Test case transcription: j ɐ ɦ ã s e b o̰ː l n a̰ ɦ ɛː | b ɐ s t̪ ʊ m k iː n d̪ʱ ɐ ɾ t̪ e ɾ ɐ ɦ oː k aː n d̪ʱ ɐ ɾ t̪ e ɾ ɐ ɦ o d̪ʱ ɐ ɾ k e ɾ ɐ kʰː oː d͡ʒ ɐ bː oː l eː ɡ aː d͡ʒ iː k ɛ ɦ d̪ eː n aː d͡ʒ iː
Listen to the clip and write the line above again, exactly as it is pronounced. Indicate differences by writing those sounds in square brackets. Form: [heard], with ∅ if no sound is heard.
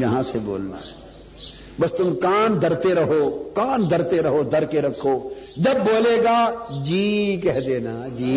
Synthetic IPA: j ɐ ɦ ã s e b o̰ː l n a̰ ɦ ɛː | b ɐ s t̪ ʊ m k [aː] n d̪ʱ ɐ ɾ t̪ e ɾ ɐ ɦ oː k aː n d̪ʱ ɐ ɾ t̪ e ɾ ɐ ɦ o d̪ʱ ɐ ɾ k e ɾ ɐ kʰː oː d͡ʒ ɐ bː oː l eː ɡ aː d͡ʒ iː k ɛ ɦ d̪ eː n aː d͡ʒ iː